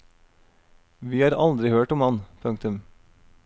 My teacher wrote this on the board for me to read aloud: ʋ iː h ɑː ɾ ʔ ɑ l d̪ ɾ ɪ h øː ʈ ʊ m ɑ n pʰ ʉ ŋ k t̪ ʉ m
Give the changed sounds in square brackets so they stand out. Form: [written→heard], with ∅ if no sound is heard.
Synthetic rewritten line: ʋ iː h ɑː ɾ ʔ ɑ l d̪ ɾ ɪ h øː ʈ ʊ m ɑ n pʰ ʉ ŋ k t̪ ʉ m